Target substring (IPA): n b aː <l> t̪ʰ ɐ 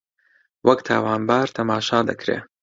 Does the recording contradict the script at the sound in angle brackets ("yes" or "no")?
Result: yes